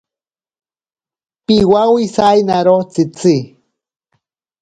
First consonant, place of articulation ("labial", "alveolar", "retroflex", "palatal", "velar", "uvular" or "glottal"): labial